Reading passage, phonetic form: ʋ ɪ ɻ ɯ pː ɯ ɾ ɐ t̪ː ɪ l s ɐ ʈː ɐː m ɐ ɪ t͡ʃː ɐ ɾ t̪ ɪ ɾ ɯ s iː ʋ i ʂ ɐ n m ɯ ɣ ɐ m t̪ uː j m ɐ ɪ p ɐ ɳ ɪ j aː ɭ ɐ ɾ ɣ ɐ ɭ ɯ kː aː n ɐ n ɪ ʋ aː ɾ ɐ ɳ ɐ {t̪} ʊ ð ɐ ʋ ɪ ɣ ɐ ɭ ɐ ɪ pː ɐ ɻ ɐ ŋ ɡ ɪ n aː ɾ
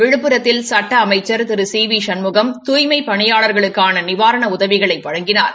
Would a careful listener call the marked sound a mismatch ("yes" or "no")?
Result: yes